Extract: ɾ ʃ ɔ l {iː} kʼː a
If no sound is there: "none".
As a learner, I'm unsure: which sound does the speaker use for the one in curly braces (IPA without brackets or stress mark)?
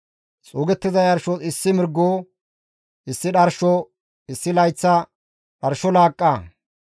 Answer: aː